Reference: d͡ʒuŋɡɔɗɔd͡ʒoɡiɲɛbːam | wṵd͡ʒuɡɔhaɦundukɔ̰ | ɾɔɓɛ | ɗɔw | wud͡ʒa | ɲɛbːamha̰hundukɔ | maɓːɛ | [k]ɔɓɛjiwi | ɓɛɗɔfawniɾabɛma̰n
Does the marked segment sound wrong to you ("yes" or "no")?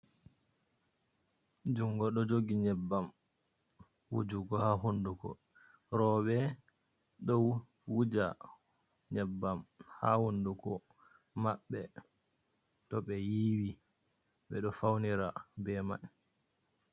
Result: yes